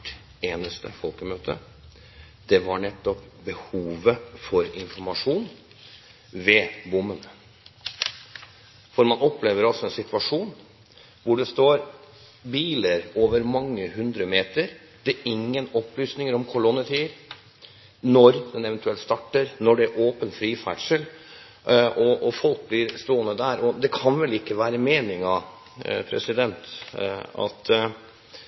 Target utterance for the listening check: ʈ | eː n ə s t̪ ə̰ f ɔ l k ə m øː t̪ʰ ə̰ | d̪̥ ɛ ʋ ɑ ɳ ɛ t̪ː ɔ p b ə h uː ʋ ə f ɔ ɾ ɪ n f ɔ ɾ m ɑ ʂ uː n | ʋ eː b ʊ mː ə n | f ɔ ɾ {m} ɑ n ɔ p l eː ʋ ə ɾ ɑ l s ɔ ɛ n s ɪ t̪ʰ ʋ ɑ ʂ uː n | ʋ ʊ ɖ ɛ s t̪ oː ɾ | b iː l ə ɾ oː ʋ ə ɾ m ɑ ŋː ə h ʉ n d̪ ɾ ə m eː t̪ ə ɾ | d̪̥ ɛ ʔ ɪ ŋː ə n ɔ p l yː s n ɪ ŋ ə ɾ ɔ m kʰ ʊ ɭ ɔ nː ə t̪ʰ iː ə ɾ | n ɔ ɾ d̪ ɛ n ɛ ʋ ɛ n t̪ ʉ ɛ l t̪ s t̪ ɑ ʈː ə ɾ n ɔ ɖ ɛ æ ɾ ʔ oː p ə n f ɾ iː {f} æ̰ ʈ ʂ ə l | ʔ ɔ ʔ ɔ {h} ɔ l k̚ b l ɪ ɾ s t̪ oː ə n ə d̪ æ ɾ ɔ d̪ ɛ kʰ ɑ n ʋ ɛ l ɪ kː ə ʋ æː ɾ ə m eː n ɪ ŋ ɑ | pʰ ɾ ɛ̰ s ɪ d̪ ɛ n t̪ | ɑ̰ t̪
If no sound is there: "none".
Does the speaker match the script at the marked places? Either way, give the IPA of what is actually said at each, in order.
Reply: m, f, f

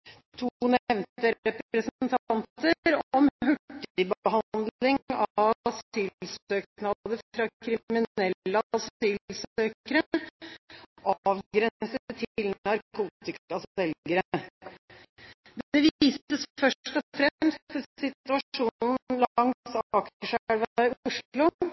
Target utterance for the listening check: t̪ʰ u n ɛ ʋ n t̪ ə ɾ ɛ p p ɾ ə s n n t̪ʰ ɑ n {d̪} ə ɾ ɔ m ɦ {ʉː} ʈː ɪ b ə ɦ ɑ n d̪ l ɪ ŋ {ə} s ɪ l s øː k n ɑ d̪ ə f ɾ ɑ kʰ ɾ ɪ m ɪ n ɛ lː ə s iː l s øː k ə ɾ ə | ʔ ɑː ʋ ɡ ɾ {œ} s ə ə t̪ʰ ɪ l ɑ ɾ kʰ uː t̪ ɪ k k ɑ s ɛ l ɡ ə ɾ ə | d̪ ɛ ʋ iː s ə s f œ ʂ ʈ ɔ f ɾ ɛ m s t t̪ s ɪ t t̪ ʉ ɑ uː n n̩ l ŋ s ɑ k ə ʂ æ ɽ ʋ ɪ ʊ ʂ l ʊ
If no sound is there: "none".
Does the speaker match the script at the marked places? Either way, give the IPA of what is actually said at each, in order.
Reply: t̪, ʉ, ɑ, ɛ

